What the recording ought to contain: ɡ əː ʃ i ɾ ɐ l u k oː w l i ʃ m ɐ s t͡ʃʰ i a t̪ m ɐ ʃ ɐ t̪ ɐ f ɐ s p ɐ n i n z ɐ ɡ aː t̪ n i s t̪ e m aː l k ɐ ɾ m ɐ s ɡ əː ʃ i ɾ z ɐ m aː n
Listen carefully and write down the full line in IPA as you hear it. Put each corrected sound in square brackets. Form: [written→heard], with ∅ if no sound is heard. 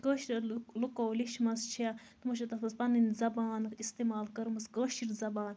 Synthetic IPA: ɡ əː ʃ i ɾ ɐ l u k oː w l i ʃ m ɐ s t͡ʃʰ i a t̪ m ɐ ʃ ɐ t̪ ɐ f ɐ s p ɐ n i n z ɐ [ɡ→b] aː [t̪→∅] n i s t̪ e m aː l k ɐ ɾ m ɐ s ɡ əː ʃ i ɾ z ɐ [m→b] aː n